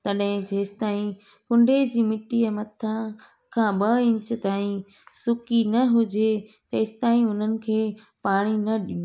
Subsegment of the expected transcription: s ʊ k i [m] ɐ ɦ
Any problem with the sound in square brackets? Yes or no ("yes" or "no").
yes